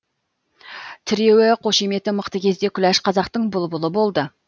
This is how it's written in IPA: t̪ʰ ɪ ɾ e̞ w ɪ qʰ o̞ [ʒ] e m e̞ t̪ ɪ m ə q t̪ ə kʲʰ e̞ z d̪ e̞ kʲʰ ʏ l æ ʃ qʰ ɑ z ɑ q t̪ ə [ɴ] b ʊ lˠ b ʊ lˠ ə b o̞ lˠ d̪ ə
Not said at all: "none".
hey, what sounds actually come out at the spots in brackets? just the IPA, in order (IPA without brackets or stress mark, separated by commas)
ʃ, ɴ